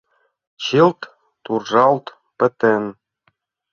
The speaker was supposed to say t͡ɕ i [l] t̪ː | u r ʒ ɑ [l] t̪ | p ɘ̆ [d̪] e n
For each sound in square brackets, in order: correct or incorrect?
correct, correct, incorrect: t̪

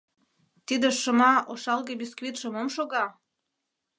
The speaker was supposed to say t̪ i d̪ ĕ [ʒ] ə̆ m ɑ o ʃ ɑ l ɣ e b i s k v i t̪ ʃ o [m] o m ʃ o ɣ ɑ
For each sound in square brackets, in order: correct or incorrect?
incorrect: ʃ, correct

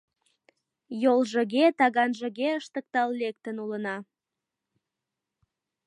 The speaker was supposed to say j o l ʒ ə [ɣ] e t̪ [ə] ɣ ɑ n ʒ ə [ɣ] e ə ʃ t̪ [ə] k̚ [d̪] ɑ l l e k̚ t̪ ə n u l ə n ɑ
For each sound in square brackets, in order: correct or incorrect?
correct, incorrect: ɑ, correct, correct, incorrect: t̪

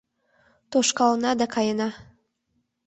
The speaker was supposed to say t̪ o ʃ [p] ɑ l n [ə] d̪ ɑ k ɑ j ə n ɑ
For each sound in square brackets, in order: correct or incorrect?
incorrect: k, incorrect: ɑ

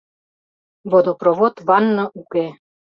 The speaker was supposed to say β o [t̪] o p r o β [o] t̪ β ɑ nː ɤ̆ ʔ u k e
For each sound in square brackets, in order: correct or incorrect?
incorrect: d̪, correct

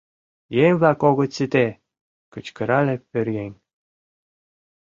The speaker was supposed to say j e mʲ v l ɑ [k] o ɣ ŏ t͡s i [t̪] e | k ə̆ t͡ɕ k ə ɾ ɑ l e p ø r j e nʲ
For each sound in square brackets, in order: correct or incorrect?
correct, correct

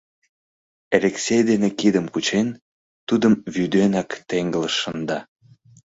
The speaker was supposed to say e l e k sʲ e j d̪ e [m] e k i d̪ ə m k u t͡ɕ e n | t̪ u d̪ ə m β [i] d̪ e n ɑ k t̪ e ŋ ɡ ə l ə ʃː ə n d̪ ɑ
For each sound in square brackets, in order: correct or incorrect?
incorrect: n, incorrect: y

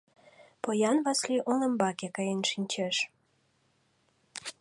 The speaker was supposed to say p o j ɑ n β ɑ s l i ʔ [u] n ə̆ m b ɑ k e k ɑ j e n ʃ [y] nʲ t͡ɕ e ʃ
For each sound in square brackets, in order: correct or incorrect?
incorrect: o, incorrect: i

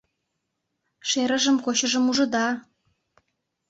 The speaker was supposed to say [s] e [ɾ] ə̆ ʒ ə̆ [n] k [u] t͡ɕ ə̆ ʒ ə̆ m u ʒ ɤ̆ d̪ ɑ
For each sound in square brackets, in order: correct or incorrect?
incorrect: ʃ, correct, incorrect: m, incorrect: o

